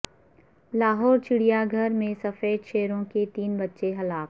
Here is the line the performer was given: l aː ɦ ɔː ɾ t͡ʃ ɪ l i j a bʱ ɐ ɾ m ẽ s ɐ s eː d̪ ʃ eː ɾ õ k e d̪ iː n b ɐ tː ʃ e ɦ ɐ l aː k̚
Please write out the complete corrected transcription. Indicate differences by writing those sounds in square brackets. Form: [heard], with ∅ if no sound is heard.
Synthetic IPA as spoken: l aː ɦ ɔː ɾ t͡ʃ ɪ [ɽ] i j a [ɡʱ] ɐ ɾ m ẽ s ɐ [f] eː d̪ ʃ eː ɾ õ k e [t̪] iː n b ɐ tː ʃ e ɦ ɐ l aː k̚

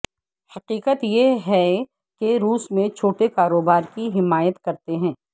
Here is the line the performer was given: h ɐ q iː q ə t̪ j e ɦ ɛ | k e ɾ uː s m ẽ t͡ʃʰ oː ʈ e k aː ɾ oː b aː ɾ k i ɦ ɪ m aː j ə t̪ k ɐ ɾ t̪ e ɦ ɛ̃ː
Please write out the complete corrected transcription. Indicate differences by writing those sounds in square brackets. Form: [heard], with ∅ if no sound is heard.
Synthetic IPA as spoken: h ɐ q iː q ə t̪ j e ɦ ɛ | k e ɾ uː s m ẽ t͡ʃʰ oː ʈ e k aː ɾ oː b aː ɾ k i ɦ ɪ m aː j ə t̪ k ɐ ɾ t̪ e ɦ ɛ̃ː

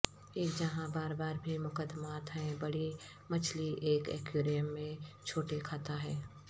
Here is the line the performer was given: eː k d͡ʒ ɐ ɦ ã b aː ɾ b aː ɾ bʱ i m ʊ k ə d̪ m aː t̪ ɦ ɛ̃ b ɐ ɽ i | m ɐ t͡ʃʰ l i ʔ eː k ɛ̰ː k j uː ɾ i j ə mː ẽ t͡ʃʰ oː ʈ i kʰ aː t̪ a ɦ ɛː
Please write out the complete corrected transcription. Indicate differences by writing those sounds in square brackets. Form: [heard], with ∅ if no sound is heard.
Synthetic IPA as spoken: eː k d͡ʒ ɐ ɦ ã b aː ɾ b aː ɾ bʱ i m ʊ k ə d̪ m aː t̪ ɦ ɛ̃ b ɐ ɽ i | m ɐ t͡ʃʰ l i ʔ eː k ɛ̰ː k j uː ɾ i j ə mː ẽ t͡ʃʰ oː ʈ [e] kʰ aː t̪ a ɦ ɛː

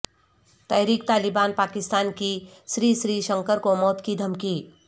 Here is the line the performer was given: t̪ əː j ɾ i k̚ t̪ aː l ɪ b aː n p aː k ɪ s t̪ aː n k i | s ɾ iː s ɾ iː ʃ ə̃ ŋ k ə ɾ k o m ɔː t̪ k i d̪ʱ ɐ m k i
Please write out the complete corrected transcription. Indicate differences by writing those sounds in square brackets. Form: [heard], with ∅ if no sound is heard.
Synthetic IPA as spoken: t̪ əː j ɾ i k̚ t̪ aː l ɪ b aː n p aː k ɪ s t̪ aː n k i | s ɾ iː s ɾ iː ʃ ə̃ ŋ k ə ɾ k o m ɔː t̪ k i d̪ʱ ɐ m k i

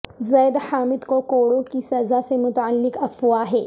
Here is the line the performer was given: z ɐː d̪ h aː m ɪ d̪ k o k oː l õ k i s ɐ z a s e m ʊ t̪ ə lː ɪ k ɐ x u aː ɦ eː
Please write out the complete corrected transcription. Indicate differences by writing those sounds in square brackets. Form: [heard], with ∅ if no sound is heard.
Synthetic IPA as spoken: z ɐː d̪ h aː m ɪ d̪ k o k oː [ɽ] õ k i s ɐ z a s e m ʊ t̪ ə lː ɪ k ɐ [f] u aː ɦ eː

